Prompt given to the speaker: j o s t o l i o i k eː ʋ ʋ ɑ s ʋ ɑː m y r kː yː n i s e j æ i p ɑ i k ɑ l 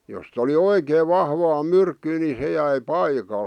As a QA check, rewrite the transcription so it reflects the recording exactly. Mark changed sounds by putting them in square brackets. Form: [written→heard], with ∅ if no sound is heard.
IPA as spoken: j o s t o l i o i k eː ʋ ʋ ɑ [s→h] ʋ ɑː m y r kː yː n i s e j æ i p ɑ i k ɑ l